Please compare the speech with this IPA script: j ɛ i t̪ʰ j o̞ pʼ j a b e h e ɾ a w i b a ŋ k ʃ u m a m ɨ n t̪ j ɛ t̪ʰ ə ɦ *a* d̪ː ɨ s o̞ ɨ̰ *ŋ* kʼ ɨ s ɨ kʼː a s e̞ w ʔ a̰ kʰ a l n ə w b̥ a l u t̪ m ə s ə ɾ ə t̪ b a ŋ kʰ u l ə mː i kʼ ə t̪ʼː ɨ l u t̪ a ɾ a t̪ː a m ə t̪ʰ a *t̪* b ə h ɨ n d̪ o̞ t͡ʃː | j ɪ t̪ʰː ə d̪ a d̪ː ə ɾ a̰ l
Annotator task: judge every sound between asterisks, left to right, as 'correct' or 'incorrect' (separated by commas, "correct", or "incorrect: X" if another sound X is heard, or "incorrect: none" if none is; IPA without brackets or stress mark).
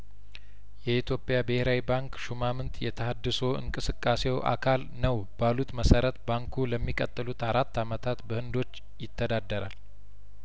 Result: correct, correct, correct